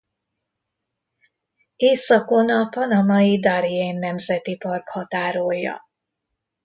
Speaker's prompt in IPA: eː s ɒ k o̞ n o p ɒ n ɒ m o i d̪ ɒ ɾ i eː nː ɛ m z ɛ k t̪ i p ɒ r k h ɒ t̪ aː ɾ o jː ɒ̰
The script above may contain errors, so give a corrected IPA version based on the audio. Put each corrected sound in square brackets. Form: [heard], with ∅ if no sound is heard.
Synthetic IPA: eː s ɒ k o̞ n [ɒ] p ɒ n ɒ m [ɒ] i d̪ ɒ ɾ i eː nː ɛ m z ɛ [∅] t̪ i p ɒ r k h ɒ t̪ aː ɾ o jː ɒ̰